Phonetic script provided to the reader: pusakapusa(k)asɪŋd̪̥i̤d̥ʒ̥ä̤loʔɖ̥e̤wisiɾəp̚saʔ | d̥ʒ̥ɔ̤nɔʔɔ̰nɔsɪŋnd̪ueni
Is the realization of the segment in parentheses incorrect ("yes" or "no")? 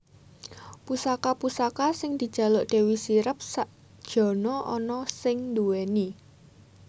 no